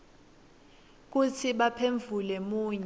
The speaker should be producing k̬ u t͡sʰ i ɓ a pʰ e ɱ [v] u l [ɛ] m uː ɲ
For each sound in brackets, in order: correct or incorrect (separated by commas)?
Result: correct, correct